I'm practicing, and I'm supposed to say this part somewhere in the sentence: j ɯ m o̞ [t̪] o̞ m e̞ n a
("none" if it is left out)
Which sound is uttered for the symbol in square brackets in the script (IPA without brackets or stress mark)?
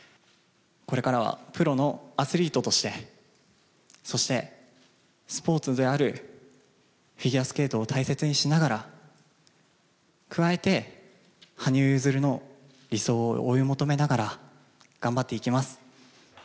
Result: t̪